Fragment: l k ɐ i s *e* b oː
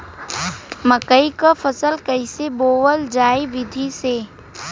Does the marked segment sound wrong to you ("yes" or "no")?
no